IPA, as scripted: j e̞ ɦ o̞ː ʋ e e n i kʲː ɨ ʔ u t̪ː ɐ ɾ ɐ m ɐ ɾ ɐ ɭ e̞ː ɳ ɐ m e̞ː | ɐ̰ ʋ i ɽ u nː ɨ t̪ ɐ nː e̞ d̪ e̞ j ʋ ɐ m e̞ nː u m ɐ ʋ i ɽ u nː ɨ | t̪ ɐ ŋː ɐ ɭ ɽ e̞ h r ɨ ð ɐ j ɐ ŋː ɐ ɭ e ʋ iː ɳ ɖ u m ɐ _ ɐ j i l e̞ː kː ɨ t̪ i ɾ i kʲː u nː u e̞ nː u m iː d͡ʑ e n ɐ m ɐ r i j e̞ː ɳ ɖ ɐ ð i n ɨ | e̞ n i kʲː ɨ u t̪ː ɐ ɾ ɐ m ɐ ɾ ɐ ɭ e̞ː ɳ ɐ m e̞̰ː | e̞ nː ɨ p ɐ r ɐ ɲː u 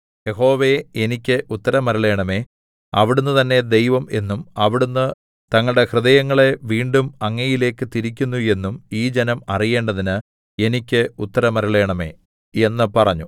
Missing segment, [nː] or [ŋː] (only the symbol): ŋː